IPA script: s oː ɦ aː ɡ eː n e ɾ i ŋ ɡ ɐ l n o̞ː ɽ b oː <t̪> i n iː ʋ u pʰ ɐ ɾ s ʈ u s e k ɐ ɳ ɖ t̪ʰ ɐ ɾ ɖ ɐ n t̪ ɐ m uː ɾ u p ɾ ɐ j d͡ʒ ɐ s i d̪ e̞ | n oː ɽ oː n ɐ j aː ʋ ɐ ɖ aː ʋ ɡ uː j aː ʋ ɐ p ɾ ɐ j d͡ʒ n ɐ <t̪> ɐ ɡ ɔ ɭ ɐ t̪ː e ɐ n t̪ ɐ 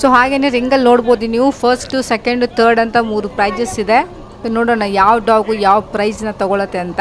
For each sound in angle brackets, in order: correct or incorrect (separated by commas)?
incorrect, correct